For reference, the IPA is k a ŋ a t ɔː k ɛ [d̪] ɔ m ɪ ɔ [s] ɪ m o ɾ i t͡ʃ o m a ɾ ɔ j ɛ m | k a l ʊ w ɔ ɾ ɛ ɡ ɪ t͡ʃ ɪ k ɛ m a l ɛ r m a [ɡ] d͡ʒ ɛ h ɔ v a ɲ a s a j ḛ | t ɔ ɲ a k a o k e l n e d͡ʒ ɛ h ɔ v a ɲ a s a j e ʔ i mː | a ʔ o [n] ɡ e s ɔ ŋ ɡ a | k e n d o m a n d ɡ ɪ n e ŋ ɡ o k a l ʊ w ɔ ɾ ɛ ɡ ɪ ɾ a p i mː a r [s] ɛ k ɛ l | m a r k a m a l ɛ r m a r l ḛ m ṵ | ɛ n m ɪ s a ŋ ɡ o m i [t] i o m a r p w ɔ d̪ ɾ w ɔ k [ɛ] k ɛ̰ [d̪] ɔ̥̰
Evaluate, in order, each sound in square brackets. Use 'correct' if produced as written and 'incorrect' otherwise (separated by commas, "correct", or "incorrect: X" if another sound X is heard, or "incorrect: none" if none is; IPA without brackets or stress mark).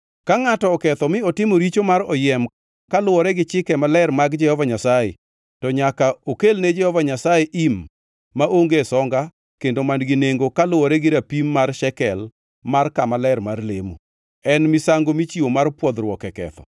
incorrect: t̪, incorrect: t, correct, incorrect: ŋ, incorrect: ʃ, incorrect: t͡ʃ, correct, incorrect: t̪